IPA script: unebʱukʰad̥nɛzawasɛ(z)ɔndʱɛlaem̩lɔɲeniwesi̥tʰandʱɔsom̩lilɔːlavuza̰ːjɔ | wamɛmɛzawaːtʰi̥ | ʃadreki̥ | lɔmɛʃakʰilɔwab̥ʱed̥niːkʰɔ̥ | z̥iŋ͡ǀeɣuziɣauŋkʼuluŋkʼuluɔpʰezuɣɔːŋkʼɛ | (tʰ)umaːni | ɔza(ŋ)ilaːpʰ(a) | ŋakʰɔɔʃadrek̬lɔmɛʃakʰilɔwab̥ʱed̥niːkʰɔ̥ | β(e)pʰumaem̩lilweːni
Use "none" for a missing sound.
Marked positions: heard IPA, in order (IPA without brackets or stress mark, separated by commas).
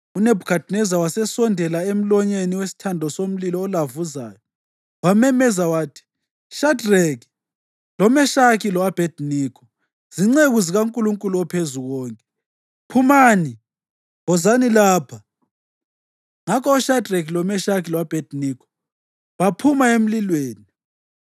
s, pʰ, n, a, a